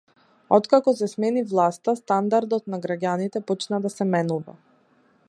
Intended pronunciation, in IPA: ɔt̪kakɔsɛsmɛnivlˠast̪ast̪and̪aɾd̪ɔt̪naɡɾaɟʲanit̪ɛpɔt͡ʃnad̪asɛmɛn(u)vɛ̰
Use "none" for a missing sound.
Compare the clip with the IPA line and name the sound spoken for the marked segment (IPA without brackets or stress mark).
u